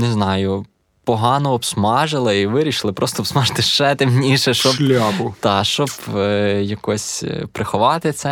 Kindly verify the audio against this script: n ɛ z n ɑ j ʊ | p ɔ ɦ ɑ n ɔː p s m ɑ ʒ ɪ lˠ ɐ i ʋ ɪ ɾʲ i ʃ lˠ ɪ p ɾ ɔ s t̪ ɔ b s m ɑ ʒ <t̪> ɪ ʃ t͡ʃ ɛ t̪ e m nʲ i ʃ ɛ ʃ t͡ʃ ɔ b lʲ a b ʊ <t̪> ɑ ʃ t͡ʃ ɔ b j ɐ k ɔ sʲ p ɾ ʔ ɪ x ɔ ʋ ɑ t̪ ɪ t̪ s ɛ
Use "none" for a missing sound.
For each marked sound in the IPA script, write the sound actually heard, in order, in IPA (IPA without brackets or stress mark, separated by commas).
t̪, t̪